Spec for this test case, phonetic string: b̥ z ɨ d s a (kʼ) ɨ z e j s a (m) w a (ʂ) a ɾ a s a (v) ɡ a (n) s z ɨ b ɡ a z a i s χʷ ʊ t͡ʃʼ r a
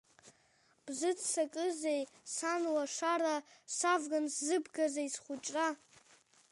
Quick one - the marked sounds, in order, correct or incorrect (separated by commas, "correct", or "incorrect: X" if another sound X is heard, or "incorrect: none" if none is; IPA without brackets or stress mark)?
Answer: correct, incorrect: n, correct, correct, correct